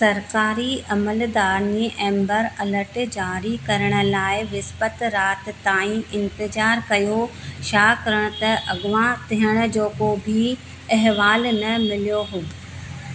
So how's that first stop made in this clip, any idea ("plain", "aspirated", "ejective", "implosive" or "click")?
plain